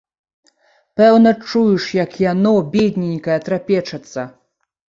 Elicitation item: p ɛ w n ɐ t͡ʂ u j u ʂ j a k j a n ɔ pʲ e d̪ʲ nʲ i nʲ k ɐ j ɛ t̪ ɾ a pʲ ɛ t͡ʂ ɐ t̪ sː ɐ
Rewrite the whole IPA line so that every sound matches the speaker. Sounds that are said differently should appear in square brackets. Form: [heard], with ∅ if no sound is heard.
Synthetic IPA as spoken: p ɛ w n ɐ t͡ʂ u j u ʂ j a k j a n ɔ [bʲ] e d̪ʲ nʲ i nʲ k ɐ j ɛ t̪ ɾ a pʲ ɛ t͡ʂ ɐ t̪ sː ɐ